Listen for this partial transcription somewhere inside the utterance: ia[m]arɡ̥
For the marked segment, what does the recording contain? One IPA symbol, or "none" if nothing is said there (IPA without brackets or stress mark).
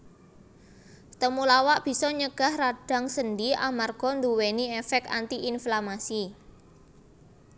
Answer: m